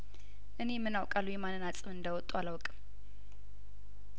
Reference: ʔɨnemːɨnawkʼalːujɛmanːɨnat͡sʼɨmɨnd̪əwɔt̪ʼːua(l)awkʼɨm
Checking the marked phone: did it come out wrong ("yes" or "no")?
no